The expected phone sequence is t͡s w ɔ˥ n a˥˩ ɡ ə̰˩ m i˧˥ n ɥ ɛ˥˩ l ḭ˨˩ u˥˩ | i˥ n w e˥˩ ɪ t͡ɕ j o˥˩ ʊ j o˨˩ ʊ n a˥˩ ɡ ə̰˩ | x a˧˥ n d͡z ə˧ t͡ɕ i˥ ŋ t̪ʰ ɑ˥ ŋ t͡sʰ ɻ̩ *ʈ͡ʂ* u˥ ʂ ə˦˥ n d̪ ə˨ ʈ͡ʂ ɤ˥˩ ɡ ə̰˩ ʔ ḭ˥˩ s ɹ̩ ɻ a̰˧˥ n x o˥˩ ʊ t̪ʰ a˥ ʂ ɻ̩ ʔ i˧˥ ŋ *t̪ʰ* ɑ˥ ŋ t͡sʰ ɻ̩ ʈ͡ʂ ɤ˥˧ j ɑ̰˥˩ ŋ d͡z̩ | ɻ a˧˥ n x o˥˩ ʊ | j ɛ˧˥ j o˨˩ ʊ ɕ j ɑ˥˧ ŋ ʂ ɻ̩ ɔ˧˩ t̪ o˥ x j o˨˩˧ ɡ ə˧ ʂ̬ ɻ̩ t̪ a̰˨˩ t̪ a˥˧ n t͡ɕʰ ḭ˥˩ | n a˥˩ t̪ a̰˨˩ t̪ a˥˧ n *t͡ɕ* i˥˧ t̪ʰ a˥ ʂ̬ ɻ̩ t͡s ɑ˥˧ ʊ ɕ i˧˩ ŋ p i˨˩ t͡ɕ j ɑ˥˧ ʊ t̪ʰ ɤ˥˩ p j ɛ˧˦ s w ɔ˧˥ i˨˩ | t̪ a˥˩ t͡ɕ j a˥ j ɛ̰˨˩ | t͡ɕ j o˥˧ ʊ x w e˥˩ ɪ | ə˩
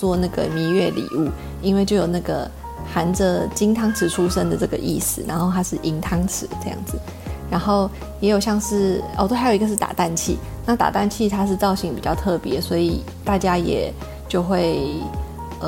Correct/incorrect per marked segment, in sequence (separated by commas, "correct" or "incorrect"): incorrect, correct, incorrect